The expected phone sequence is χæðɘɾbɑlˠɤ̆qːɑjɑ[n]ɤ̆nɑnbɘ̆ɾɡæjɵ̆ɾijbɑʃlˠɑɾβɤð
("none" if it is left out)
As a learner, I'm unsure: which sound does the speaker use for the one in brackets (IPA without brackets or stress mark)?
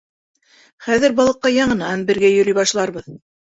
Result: ɴ